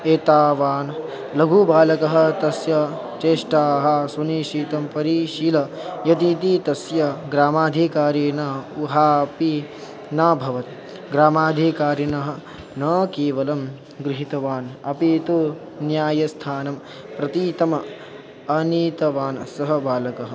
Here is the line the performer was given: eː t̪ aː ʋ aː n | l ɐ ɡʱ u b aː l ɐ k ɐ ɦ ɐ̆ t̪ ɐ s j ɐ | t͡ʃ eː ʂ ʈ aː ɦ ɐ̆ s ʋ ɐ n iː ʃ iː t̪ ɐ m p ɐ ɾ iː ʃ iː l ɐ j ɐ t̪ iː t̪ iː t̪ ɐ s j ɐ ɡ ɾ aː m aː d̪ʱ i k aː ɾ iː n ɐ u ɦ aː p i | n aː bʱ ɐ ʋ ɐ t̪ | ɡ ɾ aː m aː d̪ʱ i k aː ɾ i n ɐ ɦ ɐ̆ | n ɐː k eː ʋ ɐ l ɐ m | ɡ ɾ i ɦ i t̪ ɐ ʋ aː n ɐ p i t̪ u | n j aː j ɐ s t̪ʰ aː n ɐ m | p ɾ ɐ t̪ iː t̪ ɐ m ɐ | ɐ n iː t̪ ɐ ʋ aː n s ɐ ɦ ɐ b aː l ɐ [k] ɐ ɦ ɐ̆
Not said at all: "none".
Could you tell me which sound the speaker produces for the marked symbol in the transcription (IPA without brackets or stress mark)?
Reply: k